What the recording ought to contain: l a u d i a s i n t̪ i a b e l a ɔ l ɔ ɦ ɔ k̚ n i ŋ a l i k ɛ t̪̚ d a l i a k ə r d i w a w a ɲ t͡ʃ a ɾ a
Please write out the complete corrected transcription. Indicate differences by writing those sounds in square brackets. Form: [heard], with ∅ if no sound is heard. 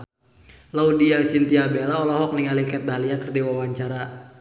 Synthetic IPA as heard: l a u d i a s i n t̪ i a b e l a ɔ l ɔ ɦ ɔ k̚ n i ŋ a l i k ɛ t̪̚ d a l i a k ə r d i w a w a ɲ t͡ʃ a ɾ a

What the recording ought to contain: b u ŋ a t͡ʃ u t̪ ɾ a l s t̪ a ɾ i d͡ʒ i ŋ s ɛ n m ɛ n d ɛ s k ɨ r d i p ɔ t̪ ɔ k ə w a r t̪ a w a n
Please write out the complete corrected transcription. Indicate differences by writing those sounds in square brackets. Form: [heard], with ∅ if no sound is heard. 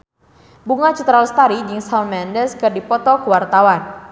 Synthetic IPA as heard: b u ŋ a t͡ʃ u t̪ ɾ a l s t̪ a ɾ i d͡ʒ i ŋ s [a] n m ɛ n d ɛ s k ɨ r d i p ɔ t̪ ɔ k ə w a r t̪ a w a n

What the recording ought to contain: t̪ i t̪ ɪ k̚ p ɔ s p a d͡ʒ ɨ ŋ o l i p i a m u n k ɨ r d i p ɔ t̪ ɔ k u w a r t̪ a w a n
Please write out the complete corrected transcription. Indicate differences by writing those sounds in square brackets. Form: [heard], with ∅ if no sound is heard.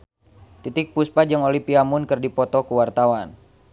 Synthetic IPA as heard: t̪ i t̪ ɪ k̚ p [u] s p a d͡ʒ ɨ ŋ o l i p i a m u n k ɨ r d i p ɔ t̪ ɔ k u w a r t̪ a w a n

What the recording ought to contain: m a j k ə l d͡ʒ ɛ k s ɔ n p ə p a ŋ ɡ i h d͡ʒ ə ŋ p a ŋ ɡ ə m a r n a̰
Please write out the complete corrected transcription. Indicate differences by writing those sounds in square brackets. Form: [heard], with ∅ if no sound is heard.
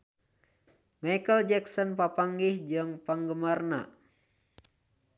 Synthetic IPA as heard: m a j k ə l d͡ʒ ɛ k s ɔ n p [a] p a ŋ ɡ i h d͡ʒ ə ŋ p a ŋ ɡ ə m a r n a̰

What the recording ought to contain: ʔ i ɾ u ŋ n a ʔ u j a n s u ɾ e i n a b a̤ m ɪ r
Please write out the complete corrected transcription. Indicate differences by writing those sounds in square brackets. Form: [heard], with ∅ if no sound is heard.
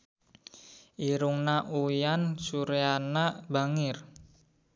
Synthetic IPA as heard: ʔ i ɾ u ŋ n a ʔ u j a n s u ɾ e [a] n a b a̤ [ŋ] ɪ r

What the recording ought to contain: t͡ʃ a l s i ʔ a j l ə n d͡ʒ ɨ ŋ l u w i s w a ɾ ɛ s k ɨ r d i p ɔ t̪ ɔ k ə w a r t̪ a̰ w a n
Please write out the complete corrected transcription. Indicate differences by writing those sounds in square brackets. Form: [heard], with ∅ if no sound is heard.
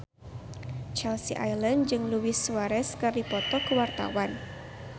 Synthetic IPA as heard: t͡ʃ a l s i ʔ a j l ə n d͡ʒ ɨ ŋ l u w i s w a ɾ ɛ s k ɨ r d i p ɔ t̪ ɔ k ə w a r t̪ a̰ w a n

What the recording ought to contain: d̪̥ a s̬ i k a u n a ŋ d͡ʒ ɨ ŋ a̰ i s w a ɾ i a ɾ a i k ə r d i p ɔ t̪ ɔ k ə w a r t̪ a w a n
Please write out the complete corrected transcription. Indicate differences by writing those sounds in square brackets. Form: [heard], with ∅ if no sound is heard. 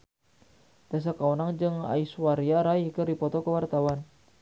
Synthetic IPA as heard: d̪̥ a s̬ [a] k a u n a ŋ d͡ʒ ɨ ŋ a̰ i s w a ɾ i a ɾ a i k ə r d i p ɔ t̪ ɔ k ə w a r t̪ a w a n

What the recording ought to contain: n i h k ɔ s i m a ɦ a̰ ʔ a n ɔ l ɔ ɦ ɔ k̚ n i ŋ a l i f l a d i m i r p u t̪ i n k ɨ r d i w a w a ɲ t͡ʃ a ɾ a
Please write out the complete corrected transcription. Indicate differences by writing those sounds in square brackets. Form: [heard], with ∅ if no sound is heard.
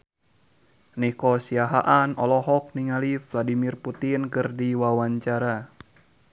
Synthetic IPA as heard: n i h k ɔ s i [∅] a ɦ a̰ ʔ a n ɔ l ɔ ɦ ɔ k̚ n i ŋ a l i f l a d i m i r p u t̪ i n k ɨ r d i w a w a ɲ t͡ʃ a ɾ a

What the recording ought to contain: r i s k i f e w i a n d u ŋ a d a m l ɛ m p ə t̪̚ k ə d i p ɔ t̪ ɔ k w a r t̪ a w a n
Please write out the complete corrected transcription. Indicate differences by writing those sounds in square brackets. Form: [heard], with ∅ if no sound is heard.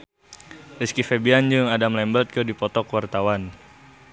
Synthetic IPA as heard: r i s k i f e [b] i a n [d͡ʒ] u ŋ a d a m l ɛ m [b] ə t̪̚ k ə d i p ɔ t̪ ɔ k w a r t̪ a w a n

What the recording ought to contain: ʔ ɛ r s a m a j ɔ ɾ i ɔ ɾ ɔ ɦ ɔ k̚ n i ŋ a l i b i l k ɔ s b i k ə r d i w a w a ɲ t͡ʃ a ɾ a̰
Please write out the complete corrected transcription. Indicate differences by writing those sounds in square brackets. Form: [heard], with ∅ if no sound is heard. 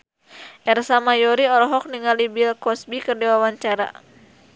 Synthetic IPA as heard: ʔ ɛ r s a m a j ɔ ɾ i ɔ ɾ ɔ ɦ ɔ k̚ n i ŋ a l i b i l k ɔ s b i k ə r d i w a w a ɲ t͡ʃ a ɾ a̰

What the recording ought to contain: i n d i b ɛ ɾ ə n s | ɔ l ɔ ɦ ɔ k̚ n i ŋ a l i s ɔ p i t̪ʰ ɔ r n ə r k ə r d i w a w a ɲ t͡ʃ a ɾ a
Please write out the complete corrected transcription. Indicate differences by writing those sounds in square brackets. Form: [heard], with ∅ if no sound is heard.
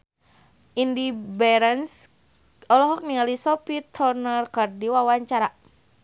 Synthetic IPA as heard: i n d i b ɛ ɾ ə n s | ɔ l ɔ ɦ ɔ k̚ n i ŋ a l i s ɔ p i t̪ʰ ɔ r n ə r k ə r d i w a w a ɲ t͡ʃ a ɾ a

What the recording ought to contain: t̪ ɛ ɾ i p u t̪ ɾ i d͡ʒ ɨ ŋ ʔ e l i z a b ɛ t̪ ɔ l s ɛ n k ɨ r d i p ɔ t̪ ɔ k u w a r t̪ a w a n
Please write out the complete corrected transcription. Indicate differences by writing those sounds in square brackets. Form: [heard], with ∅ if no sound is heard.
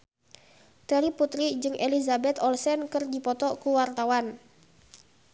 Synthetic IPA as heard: t̪ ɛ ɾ i p u t̪ ɾ i d͡ʒ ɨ ŋ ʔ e l i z a b ɛ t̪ ɔ l s ɛ n k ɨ r d i p ɔ t̪ ɔ k u w a r t̪ a w a n

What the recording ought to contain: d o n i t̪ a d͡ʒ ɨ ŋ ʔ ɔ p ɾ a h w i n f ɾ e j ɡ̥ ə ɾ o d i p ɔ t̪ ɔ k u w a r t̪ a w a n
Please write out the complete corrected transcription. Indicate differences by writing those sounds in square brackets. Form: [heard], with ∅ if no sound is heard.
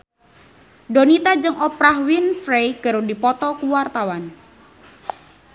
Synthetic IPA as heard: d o n i t̪ a d͡ʒ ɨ ŋ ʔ ɔ p ɾ a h w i n f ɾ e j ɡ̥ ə ɾ o d i p ɔ t̪ ɔ k u w a r t̪ a w a n

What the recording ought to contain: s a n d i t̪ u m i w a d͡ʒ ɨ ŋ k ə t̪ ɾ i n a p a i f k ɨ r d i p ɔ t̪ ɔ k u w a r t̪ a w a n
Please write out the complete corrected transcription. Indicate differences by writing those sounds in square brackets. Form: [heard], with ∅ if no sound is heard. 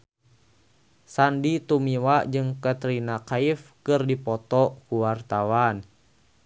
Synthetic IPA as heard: s a n d i t̪ u m i w a d͡ʒ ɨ ŋ k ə t̪ ɾ i n a [k] a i f k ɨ r d i p ɔ t̪ ɔ k u w a r t̪ a w a n

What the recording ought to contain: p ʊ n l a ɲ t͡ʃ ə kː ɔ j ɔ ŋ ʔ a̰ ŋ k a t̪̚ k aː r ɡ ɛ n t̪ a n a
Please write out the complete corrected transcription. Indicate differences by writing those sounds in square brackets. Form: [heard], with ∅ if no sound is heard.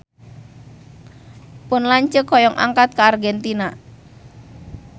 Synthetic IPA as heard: p ʊ n l a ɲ t͡ʃ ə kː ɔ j ɔ ŋ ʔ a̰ ŋ k a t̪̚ k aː r ɡ ɛ n t̪ [i] n a

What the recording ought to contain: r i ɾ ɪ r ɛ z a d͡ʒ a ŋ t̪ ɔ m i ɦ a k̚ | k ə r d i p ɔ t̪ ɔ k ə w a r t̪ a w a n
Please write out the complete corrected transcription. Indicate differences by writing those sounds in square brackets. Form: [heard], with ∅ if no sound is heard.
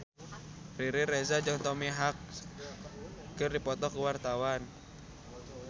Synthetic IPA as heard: r i ɾ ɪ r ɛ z a d͡ʒ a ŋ t̪ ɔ m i ɦ a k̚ | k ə r d i p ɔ t̪ ɔ k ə w a r t̪ a w a n

